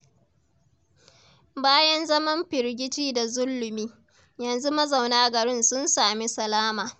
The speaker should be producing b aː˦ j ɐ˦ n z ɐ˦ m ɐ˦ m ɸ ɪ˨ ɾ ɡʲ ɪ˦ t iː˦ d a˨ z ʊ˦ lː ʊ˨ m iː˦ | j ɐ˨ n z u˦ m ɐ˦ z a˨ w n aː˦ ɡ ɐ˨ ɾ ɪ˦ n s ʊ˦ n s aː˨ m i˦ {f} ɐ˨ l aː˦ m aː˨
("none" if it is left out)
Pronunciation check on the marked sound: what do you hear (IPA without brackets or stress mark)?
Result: s